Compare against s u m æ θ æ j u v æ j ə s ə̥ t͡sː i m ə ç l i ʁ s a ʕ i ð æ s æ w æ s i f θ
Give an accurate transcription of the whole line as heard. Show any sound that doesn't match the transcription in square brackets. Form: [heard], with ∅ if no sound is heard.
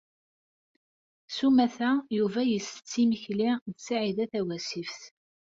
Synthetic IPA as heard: s u m æ θ æ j u v æ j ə s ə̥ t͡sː i m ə ç l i [ð] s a ʕ i ð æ [θ] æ w æ s i f θ